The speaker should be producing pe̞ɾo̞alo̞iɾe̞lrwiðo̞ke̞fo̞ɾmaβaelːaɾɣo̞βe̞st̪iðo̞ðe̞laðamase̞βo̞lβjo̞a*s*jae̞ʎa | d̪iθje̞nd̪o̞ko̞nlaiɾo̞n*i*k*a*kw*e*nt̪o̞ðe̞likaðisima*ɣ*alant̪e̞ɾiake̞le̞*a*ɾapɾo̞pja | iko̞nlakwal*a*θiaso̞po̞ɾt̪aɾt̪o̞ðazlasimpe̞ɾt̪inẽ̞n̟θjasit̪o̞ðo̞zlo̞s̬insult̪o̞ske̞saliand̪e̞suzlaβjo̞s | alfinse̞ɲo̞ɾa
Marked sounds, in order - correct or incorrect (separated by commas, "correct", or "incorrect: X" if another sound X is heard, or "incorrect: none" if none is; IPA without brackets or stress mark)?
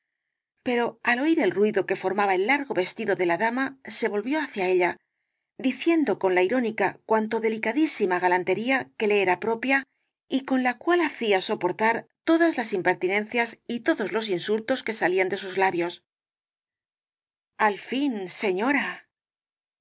incorrect: θ, correct, correct, incorrect: a, correct, incorrect: e, correct